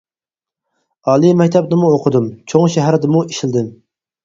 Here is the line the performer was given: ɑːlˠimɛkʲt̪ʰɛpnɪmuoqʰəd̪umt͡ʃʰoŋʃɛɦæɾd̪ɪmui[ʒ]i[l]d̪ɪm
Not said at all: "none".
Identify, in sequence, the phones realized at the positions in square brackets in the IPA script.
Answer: ʃ, l

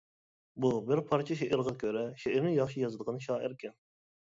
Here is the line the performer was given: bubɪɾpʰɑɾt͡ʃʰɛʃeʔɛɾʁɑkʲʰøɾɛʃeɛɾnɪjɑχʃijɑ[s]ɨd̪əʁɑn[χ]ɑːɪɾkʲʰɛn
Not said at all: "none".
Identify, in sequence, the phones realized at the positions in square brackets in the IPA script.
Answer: z, ʃ

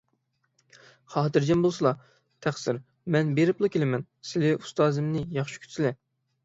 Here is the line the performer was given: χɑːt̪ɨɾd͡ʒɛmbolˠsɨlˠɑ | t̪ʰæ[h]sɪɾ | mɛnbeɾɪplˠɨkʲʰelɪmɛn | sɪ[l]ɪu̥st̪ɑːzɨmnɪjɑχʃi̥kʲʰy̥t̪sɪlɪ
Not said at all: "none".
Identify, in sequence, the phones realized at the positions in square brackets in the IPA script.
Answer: χ, l

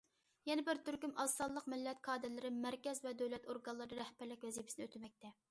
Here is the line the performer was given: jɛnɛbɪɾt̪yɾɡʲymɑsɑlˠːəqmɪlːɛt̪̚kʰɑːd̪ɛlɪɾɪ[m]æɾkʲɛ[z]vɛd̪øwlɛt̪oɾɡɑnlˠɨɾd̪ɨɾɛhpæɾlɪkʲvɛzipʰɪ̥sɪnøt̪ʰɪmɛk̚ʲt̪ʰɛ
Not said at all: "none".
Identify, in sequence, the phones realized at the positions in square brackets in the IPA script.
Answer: m, z

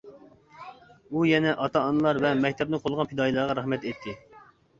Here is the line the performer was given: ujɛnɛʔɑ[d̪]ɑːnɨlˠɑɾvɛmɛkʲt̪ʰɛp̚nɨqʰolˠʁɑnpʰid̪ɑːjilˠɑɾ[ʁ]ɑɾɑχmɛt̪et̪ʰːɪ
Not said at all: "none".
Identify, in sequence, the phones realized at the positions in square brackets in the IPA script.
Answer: t̪, ʁ

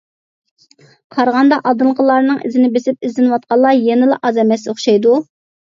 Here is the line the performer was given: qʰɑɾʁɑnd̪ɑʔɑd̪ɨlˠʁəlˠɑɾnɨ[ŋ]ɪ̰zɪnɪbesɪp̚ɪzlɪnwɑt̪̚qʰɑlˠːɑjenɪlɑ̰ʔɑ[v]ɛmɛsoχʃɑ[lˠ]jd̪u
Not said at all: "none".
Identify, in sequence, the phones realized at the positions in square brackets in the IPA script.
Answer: ŋ, z, none

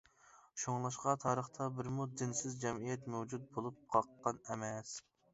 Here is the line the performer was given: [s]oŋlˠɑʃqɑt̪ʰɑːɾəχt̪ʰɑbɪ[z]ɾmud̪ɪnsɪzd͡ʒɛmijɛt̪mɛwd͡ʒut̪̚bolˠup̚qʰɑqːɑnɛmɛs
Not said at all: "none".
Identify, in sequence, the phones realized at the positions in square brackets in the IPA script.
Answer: ʃ, none

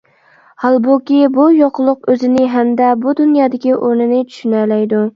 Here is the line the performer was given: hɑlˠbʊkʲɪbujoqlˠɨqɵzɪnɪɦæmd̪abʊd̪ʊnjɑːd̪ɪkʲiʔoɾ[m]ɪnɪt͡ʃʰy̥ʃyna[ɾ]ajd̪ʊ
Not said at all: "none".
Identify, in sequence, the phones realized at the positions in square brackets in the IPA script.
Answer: n, l

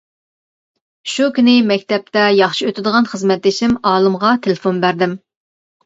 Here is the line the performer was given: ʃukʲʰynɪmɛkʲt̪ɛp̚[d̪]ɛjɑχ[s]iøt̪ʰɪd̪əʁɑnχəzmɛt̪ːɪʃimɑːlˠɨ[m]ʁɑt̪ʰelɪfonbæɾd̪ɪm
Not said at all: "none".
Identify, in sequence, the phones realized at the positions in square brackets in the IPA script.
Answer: t̪, ʃ, m

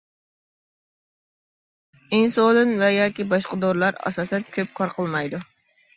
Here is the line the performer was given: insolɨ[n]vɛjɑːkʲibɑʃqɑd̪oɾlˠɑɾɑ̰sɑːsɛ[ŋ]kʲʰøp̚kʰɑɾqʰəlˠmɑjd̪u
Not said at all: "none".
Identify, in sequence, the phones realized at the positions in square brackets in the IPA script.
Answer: n, n

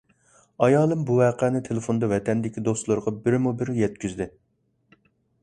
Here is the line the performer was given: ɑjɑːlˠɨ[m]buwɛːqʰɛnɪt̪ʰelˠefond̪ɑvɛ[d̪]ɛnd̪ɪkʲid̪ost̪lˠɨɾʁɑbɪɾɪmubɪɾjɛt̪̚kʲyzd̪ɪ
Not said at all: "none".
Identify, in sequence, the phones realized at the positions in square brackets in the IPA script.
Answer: m, t̪

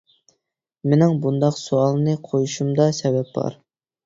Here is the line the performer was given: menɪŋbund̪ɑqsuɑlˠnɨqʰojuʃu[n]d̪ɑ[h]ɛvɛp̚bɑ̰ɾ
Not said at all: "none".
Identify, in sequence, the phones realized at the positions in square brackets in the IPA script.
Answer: m, s

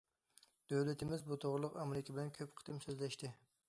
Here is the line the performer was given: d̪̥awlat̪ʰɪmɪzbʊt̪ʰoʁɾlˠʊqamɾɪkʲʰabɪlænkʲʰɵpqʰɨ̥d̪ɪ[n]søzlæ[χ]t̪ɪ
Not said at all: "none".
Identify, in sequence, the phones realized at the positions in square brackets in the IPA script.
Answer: m, ʃ

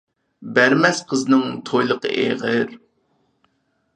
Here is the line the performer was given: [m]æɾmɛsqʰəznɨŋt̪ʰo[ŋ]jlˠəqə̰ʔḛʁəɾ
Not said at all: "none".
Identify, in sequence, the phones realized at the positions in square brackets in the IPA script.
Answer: b, none

